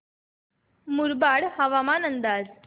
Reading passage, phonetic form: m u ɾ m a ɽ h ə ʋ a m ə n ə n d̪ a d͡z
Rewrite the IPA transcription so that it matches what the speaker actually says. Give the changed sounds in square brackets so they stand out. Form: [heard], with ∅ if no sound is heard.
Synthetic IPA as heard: m u ɾ [b] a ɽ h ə ʋ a m [a] n ə n d̪ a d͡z